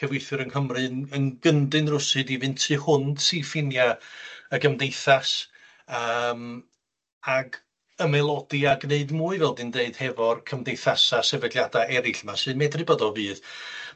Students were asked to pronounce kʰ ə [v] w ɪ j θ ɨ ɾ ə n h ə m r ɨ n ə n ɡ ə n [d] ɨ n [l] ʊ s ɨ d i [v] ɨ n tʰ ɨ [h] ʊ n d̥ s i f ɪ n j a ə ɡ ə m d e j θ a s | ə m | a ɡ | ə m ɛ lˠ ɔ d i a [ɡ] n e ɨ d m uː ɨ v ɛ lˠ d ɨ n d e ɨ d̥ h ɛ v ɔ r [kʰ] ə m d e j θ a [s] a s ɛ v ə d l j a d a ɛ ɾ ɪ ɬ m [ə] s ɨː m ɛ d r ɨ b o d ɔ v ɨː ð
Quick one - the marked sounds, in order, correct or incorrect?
correct, correct, incorrect, correct, correct, correct, correct, correct, incorrect

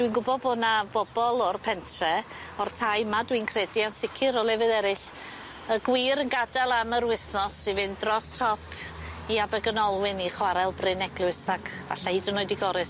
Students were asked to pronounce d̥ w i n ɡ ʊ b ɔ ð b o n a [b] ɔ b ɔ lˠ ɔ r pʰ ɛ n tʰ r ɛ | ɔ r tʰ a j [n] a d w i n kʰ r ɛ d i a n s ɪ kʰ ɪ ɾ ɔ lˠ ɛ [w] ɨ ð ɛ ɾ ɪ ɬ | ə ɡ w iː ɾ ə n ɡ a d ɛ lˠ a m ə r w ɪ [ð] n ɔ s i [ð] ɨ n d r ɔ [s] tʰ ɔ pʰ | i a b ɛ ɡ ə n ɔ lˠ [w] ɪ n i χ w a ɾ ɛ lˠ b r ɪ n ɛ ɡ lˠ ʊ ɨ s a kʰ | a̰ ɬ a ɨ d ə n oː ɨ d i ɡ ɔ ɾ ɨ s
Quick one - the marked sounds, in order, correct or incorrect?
correct, incorrect, incorrect, incorrect, incorrect, correct, correct

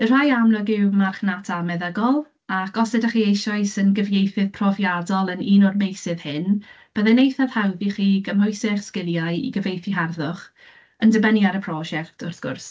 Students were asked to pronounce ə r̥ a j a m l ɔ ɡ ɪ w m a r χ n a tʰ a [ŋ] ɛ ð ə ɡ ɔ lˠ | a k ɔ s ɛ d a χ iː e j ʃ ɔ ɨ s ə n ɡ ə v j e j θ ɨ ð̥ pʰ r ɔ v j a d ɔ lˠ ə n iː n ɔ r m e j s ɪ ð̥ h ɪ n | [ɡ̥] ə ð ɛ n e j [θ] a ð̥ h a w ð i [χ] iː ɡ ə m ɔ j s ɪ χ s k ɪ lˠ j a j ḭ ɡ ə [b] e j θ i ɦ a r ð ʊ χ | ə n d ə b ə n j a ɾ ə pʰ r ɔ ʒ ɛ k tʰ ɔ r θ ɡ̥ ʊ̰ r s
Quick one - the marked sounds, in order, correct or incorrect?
incorrect, incorrect, correct, correct, incorrect

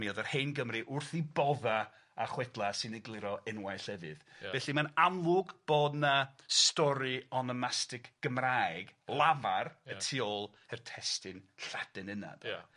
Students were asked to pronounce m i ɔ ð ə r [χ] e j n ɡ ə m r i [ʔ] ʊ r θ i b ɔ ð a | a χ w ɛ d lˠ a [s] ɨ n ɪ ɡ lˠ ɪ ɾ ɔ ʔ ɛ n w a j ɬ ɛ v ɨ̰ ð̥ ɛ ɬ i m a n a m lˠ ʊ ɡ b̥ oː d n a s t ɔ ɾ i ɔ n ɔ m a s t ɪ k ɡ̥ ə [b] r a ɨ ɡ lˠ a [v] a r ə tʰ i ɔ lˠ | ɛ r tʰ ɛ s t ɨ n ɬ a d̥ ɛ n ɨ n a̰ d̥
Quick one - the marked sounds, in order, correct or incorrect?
incorrect, correct, correct, incorrect, correct

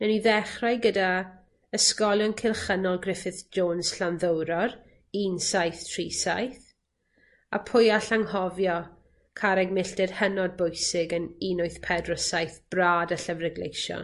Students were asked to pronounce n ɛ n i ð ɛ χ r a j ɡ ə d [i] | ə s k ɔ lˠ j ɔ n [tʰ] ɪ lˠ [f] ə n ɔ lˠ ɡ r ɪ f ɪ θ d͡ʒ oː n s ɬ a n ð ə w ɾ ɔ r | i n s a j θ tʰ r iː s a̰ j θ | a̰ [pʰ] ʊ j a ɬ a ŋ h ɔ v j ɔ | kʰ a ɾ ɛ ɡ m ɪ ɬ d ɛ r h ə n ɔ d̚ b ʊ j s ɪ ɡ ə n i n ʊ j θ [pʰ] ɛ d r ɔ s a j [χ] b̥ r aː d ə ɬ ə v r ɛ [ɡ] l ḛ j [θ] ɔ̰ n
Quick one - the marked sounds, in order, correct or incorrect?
incorrect, incorrect, incorrect, correct, correct, incorrect, correct, incorrect

